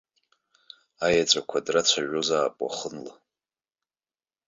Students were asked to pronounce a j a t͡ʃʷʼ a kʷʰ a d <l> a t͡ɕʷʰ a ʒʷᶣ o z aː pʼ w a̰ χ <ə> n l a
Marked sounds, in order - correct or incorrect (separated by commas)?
incorrect, correct